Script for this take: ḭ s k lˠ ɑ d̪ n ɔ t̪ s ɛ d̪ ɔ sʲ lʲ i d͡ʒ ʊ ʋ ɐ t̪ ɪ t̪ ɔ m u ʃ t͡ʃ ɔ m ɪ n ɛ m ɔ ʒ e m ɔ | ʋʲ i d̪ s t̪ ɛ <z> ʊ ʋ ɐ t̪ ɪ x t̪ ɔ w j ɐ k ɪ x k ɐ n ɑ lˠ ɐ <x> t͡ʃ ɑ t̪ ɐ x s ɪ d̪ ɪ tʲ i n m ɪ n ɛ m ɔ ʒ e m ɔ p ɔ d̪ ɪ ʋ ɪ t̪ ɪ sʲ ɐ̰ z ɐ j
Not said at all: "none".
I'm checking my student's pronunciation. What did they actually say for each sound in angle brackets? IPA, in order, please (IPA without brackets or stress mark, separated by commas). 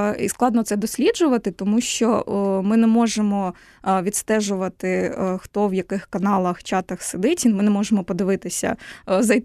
ʒ, x